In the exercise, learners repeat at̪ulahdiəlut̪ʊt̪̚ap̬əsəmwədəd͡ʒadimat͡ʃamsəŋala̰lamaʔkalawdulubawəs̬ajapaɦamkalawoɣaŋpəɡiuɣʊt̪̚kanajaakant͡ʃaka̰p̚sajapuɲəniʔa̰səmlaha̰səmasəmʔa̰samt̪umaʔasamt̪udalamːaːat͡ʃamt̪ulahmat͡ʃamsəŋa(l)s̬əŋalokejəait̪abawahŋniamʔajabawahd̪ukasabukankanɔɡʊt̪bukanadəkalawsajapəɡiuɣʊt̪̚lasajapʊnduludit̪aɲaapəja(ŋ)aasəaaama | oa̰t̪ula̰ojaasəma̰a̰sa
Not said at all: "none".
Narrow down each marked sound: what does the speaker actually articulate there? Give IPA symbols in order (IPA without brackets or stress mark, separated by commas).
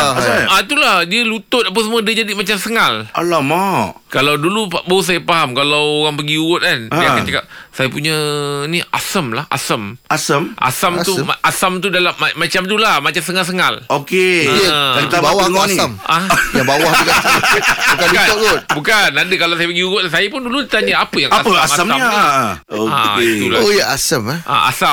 l, ŋ